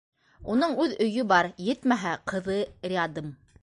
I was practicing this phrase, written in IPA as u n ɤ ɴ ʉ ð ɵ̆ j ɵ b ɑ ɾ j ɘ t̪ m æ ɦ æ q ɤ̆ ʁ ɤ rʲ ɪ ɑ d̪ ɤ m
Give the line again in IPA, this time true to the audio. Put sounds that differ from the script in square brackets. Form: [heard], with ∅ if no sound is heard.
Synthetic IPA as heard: u n ɤ ɴ ʉ ð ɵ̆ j ɵ b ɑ ɾ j ɘ t̪ m æ ɦ æ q ɤ̆ [ð] ɤ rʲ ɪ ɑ d̪ ɤ m